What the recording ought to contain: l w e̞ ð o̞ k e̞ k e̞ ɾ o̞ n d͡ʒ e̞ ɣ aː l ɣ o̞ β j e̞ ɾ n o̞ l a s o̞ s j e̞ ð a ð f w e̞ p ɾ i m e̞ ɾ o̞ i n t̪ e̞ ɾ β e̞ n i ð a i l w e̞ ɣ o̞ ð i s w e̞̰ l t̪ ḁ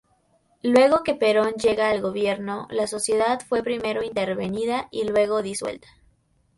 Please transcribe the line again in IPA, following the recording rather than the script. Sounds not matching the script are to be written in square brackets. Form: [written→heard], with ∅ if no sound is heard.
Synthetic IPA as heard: l w e̞ [ð→ɣ] o̞ k e̞ [k→p] e̞ ɾ o̞ n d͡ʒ e̞ ɣ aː l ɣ o̞ β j e̞ ɾ n o̞ l a s o̞ s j e̞ ð a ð f w e̞ p ɾ i m e̞ ɾ o̞ i n t̪ e̞ ɾ β e̞ n i ð a i l w e̞ ɣ o̞ ð i s w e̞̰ l t̪ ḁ

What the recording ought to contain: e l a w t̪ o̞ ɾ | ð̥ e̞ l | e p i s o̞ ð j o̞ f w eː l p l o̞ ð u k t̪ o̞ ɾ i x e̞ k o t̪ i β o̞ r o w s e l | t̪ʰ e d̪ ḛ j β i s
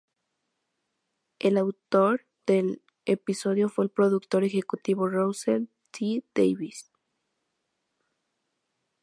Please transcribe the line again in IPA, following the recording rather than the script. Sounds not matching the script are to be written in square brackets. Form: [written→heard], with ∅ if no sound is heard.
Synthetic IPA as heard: e l a w t̪ o̞ ɾ | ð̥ e̞ l | e p i s o̞ ð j o̞ f w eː l p [l→ɾ] o̞ ð u k t̪ o̞ ɾ [i→e] x e̞ k [o→u] t̪ i β o̞ r o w s e l | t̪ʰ [e→i] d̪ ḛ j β i s

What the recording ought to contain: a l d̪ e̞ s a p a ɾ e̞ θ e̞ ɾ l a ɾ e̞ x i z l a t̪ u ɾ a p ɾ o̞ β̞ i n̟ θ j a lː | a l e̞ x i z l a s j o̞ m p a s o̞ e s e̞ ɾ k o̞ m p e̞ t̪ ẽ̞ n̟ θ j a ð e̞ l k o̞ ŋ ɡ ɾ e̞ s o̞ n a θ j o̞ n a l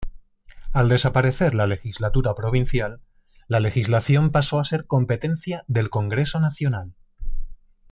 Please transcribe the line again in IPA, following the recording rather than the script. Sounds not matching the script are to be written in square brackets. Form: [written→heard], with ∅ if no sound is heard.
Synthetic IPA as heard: a l d̪ e̞ s a p a ɾ e̞ θ e̞ ɾ l a [ɾ→l] e̞ x i z l a t̪ u ɾ a p ɾ o̞ β̞ i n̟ θ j a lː | a l e̞ x i z l a [s→θ] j o̞ m p a s o̞ [e→a] s e̞ ɾ k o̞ m p e̞ t̪ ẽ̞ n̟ θ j a ð e̞ l k o̞ ŋ ɡ ɾ e̞ s o̞ n a θ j o̞ n a l

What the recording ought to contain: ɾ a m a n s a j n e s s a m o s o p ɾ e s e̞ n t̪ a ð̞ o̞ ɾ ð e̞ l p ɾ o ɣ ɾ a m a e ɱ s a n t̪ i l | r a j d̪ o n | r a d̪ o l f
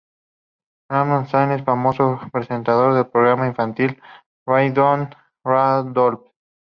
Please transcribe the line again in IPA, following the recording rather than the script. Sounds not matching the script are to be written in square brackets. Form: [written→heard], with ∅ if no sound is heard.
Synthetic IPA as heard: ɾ a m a n s a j n e s [s→f] a m o s o p ɾ e s e̞ n t̪ a ð̞ o̞ ɾ ð e̞ l p ɾ o ɣ ɾ a m a [e→i] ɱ [s→f] a n t̪ i l | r a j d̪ o n | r a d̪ o l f

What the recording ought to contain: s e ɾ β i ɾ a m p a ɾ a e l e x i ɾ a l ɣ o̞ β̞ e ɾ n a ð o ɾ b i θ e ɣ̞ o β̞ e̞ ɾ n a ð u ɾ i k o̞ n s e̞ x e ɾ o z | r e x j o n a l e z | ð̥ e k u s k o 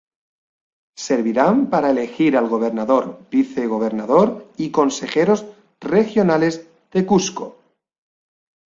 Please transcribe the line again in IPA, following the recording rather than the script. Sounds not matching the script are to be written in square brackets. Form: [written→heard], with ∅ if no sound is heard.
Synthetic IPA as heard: s e ɾ β i ɾ a m p a ɾ a e l e x i ɾ a l ɣ o̞ β̞ e ɾ n a ð o ɾ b i θ e ɣ̞ o β̞ e̞ ɾ n a ð [u→o] ɾ i k o̞ n s e̞ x e ɾ o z | r e x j o n a l e z | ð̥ e k u s k o

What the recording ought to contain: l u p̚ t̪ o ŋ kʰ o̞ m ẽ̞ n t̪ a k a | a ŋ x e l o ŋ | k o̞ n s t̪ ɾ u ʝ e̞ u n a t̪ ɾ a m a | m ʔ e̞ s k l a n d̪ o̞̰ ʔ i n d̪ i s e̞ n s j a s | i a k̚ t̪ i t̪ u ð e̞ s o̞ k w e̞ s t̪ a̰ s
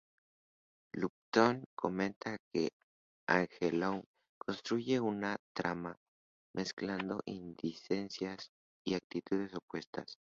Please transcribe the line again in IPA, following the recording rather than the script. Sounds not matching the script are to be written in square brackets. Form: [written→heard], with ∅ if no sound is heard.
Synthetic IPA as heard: l u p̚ t̪ o ŋ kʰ o̞ m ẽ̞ n t̪ a k [a→e] | a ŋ x e l o ŋ | k o̞ n s t̪ ɾ u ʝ e̞ u n a t̪ ɾ a m a | m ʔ e̞ s k l a n d̪ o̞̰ ʔ i n d̪ i s e̞ n s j a s | i a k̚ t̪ i t̪ u ð e̞ s o̞ [k→p] w e̞ s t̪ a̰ s

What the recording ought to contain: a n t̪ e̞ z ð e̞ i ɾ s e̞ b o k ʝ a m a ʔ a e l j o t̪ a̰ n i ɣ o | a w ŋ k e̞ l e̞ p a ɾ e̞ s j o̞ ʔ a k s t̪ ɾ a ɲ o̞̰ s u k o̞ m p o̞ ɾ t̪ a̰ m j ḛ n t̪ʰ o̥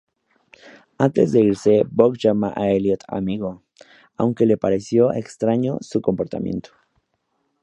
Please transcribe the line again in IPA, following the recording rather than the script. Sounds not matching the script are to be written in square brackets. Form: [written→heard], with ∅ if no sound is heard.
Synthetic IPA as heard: a n t̪ e̞ z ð e̞ i ɾ s e̞ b o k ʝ a m a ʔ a e l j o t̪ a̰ [n→m] i ɣ o | a w ŋ k e̞ l e̞ p a ɾ e̞ s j o̞ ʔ [a→e] k s t̪ ɾ a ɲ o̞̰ s u k o̞ m p o̞ ɾ t̪ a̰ m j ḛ n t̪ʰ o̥

